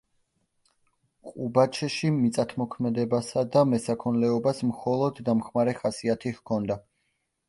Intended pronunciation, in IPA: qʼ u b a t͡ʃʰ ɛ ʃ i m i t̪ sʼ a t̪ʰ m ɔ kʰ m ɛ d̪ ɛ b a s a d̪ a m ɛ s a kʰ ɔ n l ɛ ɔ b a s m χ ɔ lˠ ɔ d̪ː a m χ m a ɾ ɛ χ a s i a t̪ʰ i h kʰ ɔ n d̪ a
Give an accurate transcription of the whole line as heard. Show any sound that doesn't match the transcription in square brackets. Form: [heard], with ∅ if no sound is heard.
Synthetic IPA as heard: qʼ u b a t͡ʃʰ ɛ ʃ i m i t̪ sʼ a t̪ʰ m ɔ kʰ m ɛ d̪ ɛ b a s a d̪ a m ɛ s a kʰ ɔ n l ɛ ɔ b a s m χ ɔ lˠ ɔ d̪ː a m χ m a ɾ ɛ χ a s i a t̪ʰ i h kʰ ɔ n d̪ a